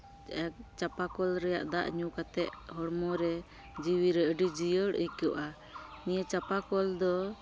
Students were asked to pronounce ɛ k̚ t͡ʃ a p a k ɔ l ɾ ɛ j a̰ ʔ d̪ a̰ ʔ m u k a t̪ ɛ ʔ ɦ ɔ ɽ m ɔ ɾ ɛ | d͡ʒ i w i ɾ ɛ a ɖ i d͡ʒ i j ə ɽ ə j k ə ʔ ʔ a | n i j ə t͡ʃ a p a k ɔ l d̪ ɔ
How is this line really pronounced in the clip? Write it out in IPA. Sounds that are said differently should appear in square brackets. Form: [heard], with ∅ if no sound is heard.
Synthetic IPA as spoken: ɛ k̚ t͡ʃ a p a k ɔ l ɾ ɛ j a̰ ʔ d̪ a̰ ʔ [ɲ] u k a t̪ ɛ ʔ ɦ ɔ ɽ m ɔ ɾ ɛ | d͡ʒ i w i ɾ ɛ [ə] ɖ i d͡ʒ i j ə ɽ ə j k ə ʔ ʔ a | n i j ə t͡ʃ a p a k ɔ l d̪ ɔ